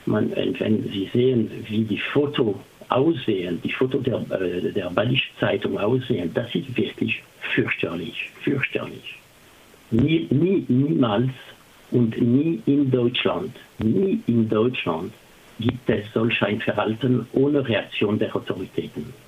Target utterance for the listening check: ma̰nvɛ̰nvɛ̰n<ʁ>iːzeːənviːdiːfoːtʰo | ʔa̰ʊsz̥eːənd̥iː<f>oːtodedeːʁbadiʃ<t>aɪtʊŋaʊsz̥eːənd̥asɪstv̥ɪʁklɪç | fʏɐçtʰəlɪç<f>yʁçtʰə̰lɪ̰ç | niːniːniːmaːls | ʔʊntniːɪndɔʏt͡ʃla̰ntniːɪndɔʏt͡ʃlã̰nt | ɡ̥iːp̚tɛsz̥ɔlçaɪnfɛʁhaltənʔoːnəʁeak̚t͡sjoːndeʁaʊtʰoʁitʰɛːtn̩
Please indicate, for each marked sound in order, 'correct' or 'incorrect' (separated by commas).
incorrect, correct, incorrect, correct